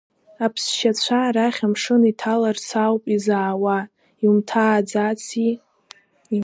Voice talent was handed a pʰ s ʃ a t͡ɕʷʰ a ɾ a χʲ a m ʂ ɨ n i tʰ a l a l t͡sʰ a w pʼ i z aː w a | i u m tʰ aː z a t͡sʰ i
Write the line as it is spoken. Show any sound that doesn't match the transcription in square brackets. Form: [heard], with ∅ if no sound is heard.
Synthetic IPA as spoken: a pʰ s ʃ a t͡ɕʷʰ a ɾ a χʲ a m ʂ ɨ n i tʰ a l a [r] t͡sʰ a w pʼ i z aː w a | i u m tʰ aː [d͡z] a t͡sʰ i